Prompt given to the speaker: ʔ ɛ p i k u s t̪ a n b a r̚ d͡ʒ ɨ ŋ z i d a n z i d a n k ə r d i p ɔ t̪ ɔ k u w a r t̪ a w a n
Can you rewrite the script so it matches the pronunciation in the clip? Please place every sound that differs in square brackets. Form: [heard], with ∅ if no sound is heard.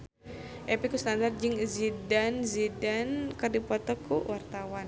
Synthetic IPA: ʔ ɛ p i k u s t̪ a n [d] a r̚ d͡ʒ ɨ ŋ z i d a n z i d a n k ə r d i p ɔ t̪ ɔ k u w a r t̪ a w a n